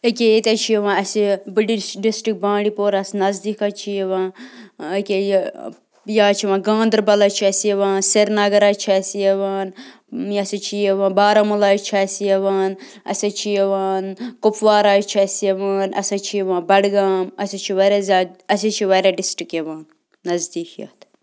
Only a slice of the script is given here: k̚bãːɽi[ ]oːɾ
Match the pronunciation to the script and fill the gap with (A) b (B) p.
B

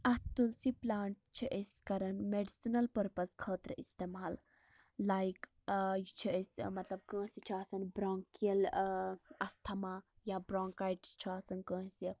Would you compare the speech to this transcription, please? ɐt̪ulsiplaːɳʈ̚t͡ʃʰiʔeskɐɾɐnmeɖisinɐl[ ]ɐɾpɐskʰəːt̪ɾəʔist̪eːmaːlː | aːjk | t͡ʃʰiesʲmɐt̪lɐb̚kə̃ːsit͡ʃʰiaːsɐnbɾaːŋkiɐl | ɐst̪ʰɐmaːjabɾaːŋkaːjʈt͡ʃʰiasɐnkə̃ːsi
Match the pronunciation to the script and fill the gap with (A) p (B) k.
A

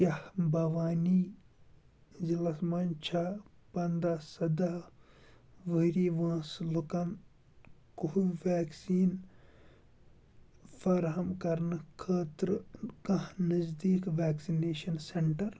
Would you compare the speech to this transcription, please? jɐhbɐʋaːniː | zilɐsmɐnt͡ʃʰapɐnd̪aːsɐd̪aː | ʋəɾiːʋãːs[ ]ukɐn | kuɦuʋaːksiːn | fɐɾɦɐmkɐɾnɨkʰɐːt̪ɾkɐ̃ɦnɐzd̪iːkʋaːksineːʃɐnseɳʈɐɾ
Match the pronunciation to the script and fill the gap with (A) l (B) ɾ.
A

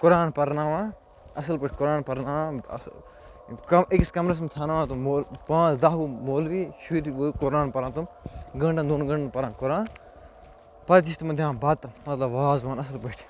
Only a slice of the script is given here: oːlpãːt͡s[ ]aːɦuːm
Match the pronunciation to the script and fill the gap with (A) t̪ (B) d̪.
B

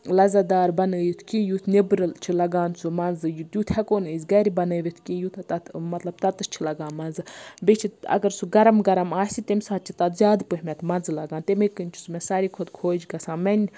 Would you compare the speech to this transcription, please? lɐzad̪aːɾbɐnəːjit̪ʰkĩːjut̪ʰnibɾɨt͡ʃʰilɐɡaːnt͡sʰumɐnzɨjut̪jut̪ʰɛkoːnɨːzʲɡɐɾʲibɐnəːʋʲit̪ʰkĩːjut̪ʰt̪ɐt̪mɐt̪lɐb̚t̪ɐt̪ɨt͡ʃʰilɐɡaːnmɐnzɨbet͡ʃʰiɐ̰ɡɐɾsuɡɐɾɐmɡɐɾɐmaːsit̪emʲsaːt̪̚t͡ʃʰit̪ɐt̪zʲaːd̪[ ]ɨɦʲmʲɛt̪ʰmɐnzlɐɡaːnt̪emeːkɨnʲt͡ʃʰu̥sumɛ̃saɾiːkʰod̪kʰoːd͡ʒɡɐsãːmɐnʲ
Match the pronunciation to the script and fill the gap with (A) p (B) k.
A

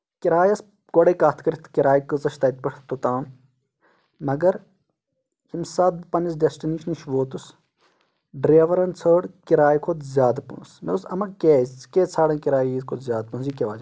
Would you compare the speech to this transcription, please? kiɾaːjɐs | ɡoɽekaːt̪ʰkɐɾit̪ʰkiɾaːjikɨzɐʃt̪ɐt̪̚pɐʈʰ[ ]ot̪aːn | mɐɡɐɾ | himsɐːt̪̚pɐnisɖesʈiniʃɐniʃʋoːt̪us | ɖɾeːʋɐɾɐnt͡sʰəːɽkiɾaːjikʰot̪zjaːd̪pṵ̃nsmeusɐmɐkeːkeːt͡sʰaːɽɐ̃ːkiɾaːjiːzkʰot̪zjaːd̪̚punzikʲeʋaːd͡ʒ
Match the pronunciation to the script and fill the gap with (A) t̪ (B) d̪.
A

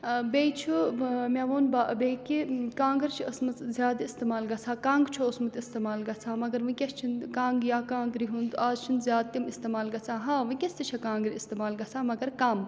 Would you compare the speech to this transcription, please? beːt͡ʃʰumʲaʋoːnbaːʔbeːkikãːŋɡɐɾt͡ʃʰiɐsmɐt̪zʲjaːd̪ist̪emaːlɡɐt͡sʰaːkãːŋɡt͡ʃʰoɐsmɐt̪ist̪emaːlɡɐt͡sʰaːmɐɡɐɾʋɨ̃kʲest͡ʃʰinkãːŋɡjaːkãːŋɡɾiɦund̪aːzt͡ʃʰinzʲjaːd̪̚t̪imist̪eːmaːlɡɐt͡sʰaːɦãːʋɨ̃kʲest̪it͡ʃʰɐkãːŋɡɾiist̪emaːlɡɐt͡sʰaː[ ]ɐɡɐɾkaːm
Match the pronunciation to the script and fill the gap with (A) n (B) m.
B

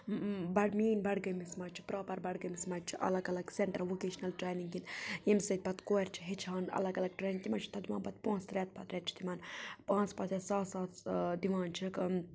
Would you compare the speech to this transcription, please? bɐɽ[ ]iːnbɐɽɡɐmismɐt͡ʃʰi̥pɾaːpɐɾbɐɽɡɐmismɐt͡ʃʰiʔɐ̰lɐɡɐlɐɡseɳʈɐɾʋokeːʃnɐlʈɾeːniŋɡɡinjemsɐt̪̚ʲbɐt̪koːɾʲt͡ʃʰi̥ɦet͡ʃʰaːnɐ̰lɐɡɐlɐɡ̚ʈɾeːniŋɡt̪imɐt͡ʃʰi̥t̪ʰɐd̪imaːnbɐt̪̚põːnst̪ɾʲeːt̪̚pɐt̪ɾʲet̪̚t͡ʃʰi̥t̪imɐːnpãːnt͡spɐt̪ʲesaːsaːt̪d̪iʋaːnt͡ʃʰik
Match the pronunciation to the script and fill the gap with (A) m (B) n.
A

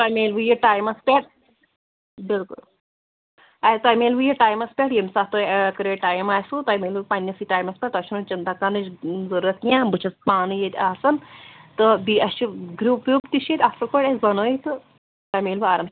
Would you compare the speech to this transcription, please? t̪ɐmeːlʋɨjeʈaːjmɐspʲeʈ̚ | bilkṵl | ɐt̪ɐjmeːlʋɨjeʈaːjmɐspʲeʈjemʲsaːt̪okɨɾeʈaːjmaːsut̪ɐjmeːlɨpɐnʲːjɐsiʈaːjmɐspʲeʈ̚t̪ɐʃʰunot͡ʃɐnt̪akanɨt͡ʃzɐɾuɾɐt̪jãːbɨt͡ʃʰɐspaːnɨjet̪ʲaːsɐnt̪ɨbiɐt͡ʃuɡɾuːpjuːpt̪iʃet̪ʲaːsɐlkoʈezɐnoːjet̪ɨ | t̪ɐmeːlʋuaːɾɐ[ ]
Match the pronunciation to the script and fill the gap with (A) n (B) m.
B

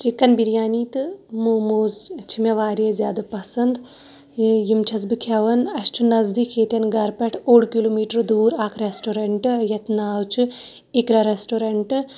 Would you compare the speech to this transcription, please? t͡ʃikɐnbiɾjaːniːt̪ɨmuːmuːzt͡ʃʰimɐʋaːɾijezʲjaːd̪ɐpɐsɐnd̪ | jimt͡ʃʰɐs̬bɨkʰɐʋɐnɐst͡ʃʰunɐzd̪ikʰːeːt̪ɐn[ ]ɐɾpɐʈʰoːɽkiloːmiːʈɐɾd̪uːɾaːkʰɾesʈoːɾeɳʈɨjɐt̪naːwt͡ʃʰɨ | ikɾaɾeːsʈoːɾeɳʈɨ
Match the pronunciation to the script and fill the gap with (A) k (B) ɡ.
B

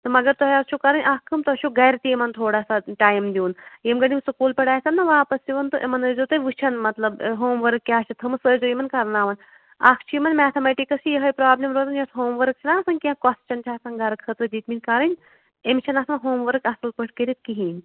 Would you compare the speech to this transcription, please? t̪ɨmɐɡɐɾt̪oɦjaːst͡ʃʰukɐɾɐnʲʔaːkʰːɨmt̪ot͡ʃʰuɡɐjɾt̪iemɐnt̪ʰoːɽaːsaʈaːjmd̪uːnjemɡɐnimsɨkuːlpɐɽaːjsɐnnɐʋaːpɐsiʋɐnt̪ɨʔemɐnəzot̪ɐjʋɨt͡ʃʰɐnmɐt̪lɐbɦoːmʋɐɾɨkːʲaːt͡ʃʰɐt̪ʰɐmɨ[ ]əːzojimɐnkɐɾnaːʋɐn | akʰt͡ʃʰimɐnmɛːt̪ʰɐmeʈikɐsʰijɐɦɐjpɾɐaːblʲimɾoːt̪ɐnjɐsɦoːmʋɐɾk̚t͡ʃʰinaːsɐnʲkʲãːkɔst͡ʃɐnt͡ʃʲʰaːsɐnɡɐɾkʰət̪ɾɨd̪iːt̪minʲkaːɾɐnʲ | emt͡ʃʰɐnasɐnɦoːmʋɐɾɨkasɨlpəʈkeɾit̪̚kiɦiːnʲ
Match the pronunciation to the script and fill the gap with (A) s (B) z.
A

